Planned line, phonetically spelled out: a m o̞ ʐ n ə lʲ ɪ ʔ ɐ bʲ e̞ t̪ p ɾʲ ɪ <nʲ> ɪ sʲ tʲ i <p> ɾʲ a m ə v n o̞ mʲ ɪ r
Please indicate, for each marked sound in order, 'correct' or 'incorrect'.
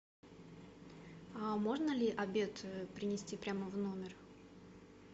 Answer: correct, correct

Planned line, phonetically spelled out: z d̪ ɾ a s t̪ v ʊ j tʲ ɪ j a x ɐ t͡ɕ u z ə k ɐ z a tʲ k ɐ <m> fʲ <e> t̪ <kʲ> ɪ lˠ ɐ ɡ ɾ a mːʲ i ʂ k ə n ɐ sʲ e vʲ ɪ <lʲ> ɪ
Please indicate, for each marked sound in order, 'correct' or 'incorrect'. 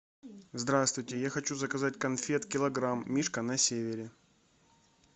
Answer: incorrect: n, correct, correct, incorrect: ɾʲ

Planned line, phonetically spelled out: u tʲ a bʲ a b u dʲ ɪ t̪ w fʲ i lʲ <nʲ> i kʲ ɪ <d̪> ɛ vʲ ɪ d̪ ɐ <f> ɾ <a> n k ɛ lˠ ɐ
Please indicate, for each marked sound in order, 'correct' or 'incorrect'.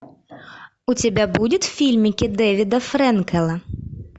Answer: incorrect: mʲ, correct, correct, incorrect: ɛ

